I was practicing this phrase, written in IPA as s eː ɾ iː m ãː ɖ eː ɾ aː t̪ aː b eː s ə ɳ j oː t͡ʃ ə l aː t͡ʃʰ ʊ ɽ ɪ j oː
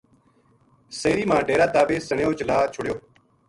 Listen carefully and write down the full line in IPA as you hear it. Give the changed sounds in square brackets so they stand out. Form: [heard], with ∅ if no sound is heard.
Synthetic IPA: s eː ɾ iː m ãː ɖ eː ɾ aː t̪ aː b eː s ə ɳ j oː t͡ʃ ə l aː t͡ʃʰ ʊ ɽ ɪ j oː